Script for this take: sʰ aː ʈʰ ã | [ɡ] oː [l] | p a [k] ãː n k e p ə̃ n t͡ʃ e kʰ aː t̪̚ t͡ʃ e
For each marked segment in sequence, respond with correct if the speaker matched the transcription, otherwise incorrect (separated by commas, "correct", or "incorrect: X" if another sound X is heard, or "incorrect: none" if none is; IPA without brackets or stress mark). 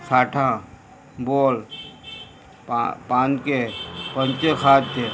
incorrect: b, correct, incorrect: p